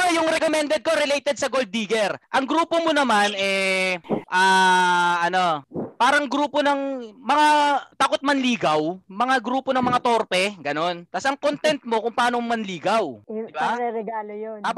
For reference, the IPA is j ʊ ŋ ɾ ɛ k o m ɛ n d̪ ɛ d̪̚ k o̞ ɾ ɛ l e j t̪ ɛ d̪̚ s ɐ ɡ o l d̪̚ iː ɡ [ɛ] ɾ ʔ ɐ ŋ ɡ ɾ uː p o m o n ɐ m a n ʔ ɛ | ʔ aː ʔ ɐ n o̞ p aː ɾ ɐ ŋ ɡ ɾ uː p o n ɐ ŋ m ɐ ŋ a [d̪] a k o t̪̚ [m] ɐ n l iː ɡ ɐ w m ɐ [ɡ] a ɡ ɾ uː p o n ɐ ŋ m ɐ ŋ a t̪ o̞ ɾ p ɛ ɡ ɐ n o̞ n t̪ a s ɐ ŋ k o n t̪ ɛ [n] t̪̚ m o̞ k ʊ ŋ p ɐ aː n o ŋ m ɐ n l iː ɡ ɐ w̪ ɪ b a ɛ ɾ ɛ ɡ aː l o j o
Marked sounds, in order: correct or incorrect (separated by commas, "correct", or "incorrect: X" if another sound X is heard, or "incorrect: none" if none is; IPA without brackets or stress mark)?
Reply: correct, incorrect: t̪, correct, incorrect: ŋ, correct